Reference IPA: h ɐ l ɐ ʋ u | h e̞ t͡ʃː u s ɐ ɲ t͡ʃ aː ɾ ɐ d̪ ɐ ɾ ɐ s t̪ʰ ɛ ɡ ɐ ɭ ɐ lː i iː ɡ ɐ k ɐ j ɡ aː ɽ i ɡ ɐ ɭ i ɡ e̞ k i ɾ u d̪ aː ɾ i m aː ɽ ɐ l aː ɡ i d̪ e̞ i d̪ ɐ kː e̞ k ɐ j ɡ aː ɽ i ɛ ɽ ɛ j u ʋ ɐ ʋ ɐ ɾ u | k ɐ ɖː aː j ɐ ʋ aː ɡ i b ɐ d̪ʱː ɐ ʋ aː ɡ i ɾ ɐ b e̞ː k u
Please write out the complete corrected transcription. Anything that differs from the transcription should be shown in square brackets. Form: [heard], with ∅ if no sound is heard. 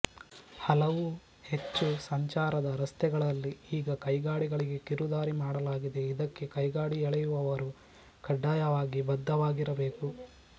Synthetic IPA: h ɐ l ɐ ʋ u | h e̞ t͡ʃː u s ɐ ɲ t͡ʃ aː ɾ ɐ d̪ ɐ ɾ ɐ s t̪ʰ ɛ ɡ ɐ ɭ ɐ lː i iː ɡ ɐ k ɐ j ɡ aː ɽ i ɡ ɐ ɭ i ɡ e̞ k i ɾ u d̪ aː ɾ i m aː ɽ ɐ l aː ɡ i d̪ e̞ i d̪ ɐ kː e̞ k ɐ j ɡ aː ɽ i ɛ [ɭ] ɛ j u ʋ ɐ ʋ ɐ ɾ u | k ɐ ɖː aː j ɐ ʋ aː ɡ i b ɐ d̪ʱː ɐ ʋ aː ɡ i ɾ ɐ b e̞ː k u

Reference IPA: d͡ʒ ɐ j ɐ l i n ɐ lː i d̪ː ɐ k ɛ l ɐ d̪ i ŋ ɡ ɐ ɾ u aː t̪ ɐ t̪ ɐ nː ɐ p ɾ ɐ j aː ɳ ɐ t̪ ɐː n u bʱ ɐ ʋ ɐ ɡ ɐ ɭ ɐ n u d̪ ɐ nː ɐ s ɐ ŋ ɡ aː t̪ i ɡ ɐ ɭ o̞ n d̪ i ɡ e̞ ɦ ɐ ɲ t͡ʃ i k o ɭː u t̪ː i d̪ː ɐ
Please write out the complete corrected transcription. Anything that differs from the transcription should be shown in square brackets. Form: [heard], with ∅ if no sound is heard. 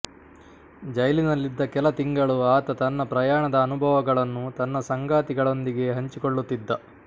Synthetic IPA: d͡ʒ ɐ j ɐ l i n ɐ lː i d̪ː ɐ k ɛ l ɐ [t̪] i ŋ ɡ ɐ [ɭ] u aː t̪ ɐ t̪ ɐ nː ɐ p ɾ ɐ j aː ɳ ɐ [d̪] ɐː n u bʱ ɐ ʋ ɐ ɡ ɐ ɭ ɐ [nː] u [t̪] ɐ nː ɐ s ɐ ŋ ɡ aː t̪ i ɡ ɐ ɭ o̞ n d̪ i ɡ e̞ ɦ ɐ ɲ t͡ʃ i k o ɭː u t̪ː i d̪ː ɐ

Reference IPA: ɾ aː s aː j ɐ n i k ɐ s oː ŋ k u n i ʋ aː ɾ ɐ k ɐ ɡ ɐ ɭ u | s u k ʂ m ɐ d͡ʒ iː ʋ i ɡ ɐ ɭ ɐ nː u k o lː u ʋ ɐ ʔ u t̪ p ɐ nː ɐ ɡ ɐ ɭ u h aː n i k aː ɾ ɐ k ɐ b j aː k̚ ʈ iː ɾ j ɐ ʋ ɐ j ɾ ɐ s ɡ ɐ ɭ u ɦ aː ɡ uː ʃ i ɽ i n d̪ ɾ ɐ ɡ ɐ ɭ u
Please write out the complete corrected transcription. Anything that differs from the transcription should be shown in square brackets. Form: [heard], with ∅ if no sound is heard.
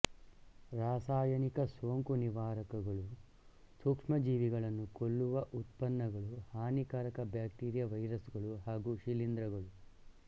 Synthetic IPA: ɾ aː s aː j ɐ n i k ɐ s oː ŋ k u n i ʋ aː ɾ ɐ k ɐ ɡ ɐ ɭ u | s u k ʂ m ɐ d͡ʒ iː ʋ i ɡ ɐ ɭ ɐ nː u k o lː u ʋ ɐ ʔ u t̪ p ɐ nː ɐ ɡ ɐ ɭ u h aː n i k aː ɾ ɐ k ɐ b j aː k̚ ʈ iː ɾ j ɐ ʋ ɐ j ɾ ɐ s ɡ ɐ ɭ u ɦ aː ɡ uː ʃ i [l] i n d̪ ɾ ɐ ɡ ɐ ɭ u

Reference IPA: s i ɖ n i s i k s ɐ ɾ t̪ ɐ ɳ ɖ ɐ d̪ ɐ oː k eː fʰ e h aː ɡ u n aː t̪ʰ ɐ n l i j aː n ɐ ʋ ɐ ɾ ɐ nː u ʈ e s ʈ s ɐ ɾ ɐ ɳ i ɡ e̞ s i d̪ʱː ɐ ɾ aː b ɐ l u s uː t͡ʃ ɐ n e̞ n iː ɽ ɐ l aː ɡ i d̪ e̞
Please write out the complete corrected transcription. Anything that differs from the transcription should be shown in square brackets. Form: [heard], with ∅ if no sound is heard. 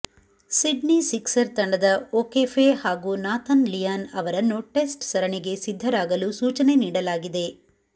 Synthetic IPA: s i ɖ n i s i k s ɐ ɾ t̪ ɐ ɳ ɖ ɐ d̪ ɐ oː k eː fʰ e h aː ɡ u n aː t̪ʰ ɐ n l i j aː n ɐ ʋ ɐ ɾ ɐ nː u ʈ e s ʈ s ɐ ɾ ɐ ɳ i ɡ e̞ s i d̪ʱː ɐ ɾ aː [ɡ] ɐ l u s uː t͡ʃ ɐ n e̞ n iː ɽ ɐ l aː ɡ i d̪ e̞

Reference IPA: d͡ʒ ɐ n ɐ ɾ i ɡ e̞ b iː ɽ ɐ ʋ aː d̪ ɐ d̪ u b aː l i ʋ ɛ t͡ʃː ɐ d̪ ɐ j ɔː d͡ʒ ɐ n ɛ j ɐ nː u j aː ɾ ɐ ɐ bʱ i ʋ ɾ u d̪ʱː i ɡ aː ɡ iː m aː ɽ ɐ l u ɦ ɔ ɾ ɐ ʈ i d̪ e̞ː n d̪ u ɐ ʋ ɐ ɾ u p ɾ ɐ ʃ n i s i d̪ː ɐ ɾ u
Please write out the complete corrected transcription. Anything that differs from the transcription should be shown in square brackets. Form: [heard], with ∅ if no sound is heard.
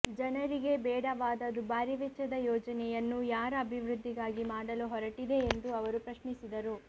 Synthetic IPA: d͡ʒ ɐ n ɐ ɾ i ɡ e̞ b [ɛː] ɽ ɐ ʋ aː d̪ ɐ d̪ u b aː [ɾ] i ʋ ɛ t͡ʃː ɐ d̪ ɐ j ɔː d͡ʒ ɐ n ɛ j ɐ nː u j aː ɾ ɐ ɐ bʱ i ʋ ɾ u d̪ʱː i ɡ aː ɡ [i] m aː ɽ ɐ l u ɦ ɔ ɾ ɐ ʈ i d̪ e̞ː n d̪ u ɐ ʋ ɐ ɾ u p ɾ ɐ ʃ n i s i [d̪] ɐ ɾ u

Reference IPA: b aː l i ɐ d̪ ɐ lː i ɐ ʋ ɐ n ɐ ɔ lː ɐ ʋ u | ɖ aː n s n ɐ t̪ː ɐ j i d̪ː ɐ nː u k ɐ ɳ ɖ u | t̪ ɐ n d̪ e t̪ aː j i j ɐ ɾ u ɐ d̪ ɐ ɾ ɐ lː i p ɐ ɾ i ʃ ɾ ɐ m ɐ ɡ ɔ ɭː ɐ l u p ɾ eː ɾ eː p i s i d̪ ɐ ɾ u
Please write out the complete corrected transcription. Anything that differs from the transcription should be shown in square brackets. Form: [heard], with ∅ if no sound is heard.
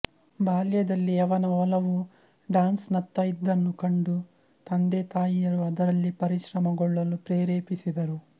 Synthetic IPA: b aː l [j] ɐ d̪ ɐ lː i ɐ ʋ ɐ n ɐ ɔ [l] ɐ ʋ u | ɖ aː n s n ɐ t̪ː ɐ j i d̪ː ɐ nː u k ɐ ɳ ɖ u | t̪ ɐ n d̪ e t̪ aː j i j ɐ ɾ u ɐ d̪ ɐ ɾ ɐ lː i p ɐ ɾ i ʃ ɾ ɐ m ɐ ɡ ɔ ɭː ɐ l u p ɾ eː ɾ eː p i s i d̪ ɐ ɾ u

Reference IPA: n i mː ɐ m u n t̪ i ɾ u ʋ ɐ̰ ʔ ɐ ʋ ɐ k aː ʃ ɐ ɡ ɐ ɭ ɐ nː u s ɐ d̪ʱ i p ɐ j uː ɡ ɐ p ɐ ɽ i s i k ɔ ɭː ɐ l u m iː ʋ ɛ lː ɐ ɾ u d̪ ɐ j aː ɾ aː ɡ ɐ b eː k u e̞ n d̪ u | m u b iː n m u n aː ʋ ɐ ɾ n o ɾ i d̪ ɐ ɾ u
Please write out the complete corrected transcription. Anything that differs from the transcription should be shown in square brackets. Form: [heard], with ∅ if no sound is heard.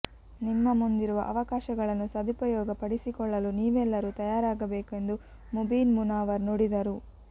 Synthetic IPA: n i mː ɐ m u n [d̪] i ɾ u ʋ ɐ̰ ʔ ɐ ʋ ɐ k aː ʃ ɐ ɡ ɐ ɭ ɐ nː u s ɐ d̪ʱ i p ɐ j [ɔː] ɡ ɐ p ɐ ɽ i s i k ɔ ɭː ɐ l u [n] iː ʋ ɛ lː ɐ ɾ u [t̪] ɐ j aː ɾ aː ɡ ɐ b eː k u e̞ n d̪ u | m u b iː n m u n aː ʋ ɐ ɾ n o [ɽ] i d̪ ɐ ɾ u

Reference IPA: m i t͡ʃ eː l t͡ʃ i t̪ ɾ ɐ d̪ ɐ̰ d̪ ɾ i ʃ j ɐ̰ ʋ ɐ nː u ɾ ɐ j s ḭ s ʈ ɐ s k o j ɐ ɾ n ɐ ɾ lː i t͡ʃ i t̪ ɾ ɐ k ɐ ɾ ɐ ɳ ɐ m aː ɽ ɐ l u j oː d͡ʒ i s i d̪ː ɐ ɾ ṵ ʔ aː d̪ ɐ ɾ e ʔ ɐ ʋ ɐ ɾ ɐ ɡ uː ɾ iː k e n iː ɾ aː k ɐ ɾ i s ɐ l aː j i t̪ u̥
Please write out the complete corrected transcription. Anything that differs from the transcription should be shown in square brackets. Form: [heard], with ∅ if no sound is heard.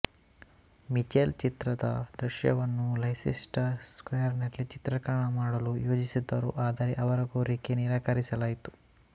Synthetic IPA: m i t͡ʃ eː l t͡ʃ i t̪ ɾ ɐ d̪ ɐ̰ d̪ ɾ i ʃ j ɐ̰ ʋ ɐ nː u [l] ɐ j s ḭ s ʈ ɐ s k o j ɐ ɾ n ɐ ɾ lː i t͡ʃ i t̪ ɾ ɐ k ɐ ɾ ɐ ɳ ɐ m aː ɽ ɐ l u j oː d͡ʒ i s i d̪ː ɐ ɾ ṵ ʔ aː d̪ ɐ ɾ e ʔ ɐ ʋ ɐ ɾ ɐ ɡ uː ɾ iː k e n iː ɾ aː k ɐ ɾ i s ɐ l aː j i t̪ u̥

